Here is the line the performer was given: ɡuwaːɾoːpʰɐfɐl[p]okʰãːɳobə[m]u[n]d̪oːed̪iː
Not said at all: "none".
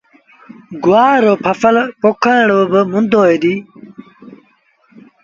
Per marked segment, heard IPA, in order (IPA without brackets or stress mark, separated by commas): p, m, n